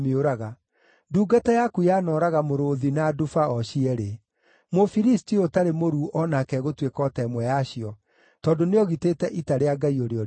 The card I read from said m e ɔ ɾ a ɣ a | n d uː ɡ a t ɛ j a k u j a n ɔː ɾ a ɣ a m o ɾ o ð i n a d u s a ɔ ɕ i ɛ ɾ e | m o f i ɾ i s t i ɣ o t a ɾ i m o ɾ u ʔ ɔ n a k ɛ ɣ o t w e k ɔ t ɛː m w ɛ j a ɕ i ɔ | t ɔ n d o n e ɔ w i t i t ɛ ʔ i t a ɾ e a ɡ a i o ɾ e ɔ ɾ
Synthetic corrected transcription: m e o ɾ a ɣ a | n d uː ɡ a t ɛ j a k u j a n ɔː ɾ a ɣ a m o ɾ o ð i n a d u f a ɔ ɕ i ɛ ɾ e | m o f i ɾ i s t i o t a ɾ e m o ɾ u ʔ ɔ n a k ɛ ɣ o t w e k ɔ t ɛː m w ɛ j a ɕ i ɔ | t ɔ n d o n e ɔ ɣ i t e t ɛ ʔ i t a ɾ e a ɡ a i o ɾ e ɔ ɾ